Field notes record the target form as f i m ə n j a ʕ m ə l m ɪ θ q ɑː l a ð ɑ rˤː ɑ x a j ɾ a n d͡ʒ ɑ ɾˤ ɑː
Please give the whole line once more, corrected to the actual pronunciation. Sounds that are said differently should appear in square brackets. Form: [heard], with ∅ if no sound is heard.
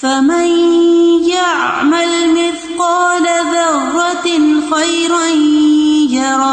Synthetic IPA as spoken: f [a] m [a] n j a ʕ m [a] l m ɪ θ q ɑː l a ð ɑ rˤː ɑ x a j ɾ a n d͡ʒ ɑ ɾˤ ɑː